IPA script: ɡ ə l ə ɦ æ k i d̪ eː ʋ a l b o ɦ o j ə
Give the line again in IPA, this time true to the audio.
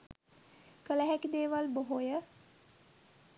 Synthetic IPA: k ə l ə ɦ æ k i d̪ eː ʋ a l b o ɦ o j ə